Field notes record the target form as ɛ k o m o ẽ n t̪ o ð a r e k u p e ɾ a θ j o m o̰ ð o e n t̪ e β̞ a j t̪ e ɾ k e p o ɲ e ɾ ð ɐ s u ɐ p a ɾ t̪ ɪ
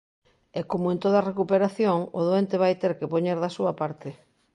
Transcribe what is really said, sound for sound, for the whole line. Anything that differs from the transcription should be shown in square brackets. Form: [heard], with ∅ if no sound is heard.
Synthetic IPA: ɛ k o m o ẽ n t̪ o ð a r e k u p e ɾ a θ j o [ŋ] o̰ ð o e n t̪ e β̞ a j t̪ e ɾ k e p o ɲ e ɾ ð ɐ s u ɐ p a ɾ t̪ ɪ